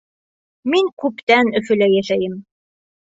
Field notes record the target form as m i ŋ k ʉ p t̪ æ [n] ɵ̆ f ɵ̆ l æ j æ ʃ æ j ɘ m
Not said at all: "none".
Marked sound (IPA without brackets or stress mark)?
n